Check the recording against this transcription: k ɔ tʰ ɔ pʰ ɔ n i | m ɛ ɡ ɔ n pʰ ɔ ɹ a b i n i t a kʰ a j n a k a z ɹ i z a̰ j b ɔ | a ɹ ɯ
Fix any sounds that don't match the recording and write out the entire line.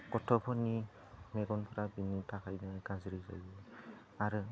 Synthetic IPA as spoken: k ɔ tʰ ɔ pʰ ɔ n i | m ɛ ɡ ɔ n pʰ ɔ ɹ a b i n i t a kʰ a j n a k a z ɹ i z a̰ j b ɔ | a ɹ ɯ